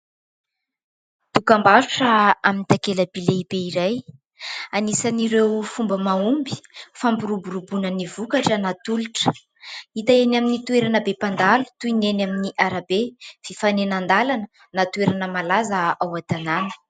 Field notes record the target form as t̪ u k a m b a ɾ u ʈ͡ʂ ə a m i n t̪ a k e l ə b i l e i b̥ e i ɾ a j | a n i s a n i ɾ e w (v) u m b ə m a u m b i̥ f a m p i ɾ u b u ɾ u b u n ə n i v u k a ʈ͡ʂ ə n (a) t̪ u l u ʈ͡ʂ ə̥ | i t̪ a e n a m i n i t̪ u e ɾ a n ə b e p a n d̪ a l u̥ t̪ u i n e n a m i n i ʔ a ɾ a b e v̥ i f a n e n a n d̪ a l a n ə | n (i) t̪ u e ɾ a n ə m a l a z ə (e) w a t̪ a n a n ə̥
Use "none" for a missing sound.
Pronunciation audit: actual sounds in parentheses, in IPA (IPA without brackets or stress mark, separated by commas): f, a, a, a